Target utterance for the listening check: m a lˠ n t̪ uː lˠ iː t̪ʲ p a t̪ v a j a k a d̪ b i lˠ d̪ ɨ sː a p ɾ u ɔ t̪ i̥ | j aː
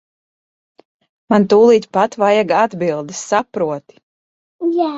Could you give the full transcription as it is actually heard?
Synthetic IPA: m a n t̪ uː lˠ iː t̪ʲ p a t̪ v a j a ɡ a d̪ b i lˠ d̪ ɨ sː a p ɾ u ɔ t̪ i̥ | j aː